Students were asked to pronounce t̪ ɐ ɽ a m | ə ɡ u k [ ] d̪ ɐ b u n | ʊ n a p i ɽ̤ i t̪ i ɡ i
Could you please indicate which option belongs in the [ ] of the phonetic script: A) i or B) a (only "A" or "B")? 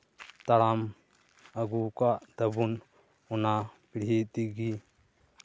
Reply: B